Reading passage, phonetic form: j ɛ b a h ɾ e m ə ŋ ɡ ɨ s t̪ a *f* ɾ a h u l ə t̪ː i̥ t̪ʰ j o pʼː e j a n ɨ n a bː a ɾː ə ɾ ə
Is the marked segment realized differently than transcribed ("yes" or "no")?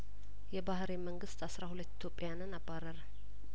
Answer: yes